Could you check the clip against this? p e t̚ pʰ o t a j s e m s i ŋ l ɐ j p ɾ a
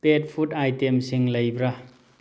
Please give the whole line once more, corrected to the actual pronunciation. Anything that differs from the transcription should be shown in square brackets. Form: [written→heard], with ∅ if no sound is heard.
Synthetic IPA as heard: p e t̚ pʰ [o→u] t a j [s→t] e m s i ŋ l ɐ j [p→b] ɾ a